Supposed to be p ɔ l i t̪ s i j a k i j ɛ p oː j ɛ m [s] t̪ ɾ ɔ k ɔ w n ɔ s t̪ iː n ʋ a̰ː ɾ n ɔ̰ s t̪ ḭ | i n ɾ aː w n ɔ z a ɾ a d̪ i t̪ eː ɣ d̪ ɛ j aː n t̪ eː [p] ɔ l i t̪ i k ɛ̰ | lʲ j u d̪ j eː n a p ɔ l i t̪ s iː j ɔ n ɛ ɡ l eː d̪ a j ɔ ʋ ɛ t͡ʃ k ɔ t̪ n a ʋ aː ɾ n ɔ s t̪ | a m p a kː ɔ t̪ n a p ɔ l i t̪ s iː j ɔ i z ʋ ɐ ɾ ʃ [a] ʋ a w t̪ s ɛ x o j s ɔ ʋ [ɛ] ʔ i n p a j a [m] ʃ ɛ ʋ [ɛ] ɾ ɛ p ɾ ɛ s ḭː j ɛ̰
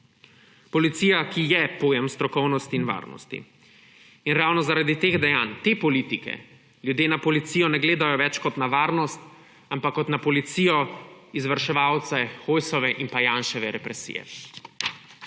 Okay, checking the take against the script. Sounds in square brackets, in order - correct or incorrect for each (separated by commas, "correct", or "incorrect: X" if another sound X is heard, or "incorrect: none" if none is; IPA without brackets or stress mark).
correct, correct, incorrect: ɛ, correct, incorrect: n, correct